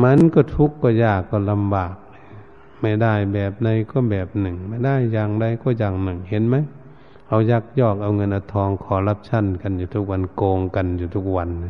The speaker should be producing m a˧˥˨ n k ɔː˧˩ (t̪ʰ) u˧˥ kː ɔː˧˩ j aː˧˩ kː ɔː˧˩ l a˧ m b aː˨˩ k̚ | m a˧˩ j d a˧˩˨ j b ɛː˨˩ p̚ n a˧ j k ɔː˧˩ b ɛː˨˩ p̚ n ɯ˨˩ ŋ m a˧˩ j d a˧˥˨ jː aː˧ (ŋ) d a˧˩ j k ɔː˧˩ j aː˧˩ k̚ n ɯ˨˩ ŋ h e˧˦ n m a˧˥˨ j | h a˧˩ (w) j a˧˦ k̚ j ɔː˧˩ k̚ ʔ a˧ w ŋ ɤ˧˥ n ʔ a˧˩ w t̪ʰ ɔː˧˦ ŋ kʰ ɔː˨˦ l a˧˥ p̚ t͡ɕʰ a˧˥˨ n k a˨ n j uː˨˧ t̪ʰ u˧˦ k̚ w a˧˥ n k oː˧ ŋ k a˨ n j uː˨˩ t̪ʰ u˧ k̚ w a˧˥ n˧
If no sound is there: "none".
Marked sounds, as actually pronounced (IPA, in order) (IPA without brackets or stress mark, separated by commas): t̪ʰ, ŋ, w